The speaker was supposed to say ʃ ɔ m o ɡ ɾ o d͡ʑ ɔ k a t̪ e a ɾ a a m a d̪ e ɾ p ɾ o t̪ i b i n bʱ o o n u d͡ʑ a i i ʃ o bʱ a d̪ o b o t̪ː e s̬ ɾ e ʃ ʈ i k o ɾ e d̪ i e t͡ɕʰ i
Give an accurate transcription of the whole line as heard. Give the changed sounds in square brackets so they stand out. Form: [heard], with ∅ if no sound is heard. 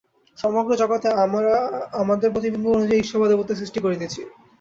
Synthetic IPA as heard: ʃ ɔ m o ɡ ɾ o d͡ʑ ɔ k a t̪ e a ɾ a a m a d̪ e ɾ p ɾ o t̪ i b i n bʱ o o n u d͡ʑ a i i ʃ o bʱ a d̪ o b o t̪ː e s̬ ɾ [i] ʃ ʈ i k o ɾ e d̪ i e t͡ɕʰ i